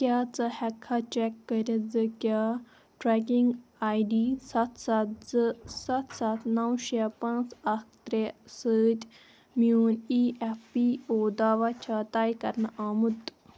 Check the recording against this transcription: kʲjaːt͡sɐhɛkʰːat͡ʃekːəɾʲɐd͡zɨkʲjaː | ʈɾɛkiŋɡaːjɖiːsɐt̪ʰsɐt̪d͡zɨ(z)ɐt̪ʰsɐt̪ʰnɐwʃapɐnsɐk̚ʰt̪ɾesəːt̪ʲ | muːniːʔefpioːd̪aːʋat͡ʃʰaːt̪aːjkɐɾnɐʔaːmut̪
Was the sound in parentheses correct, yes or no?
no